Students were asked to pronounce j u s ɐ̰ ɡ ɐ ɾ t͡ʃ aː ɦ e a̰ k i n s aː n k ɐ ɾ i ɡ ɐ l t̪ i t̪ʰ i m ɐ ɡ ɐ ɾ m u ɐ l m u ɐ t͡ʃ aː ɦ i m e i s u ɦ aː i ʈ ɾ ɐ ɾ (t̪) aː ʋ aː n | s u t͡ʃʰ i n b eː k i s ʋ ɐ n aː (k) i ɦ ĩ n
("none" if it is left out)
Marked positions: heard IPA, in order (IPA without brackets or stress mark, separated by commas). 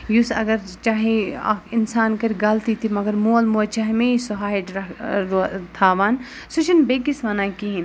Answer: t̪ʰ, k